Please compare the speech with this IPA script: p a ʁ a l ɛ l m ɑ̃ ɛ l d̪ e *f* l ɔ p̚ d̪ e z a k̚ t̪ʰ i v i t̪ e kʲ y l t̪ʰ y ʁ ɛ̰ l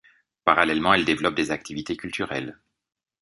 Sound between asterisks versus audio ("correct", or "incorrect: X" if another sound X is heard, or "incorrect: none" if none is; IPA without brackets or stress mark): incorrect: v